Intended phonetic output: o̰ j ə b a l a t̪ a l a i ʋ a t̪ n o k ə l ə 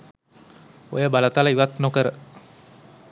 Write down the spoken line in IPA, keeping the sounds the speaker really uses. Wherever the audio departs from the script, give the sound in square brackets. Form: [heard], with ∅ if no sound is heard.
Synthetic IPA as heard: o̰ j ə b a l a t̪ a l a i ʋ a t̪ n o k ə [ɾ] ə